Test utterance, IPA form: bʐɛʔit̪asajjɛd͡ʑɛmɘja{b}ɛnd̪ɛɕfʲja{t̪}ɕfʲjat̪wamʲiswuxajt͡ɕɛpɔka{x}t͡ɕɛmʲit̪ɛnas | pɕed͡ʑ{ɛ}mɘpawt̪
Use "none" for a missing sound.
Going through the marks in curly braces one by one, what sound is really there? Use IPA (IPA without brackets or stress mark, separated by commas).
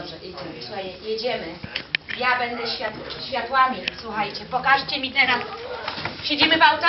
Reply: b, t̪, ʂ, i